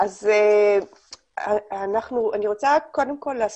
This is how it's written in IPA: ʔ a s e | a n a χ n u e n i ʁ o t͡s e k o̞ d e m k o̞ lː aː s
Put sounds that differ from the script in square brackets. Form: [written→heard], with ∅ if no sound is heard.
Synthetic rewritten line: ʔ a [s→z] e | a n a χ n u [e→a] n i ʁ o t͡s [e→a] k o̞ d e m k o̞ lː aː s